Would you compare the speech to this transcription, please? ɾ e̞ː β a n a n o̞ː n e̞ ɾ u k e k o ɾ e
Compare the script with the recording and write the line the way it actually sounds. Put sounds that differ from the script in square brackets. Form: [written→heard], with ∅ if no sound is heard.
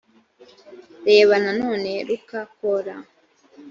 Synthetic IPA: ɾ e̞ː β a n a n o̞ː n e̞ ɾ u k [e→a] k o ɾ [e→a]